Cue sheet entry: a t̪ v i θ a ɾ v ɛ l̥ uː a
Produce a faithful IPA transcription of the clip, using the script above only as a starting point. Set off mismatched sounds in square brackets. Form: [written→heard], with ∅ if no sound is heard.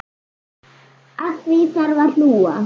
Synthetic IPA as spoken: a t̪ v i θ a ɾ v [ɛ→a] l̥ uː a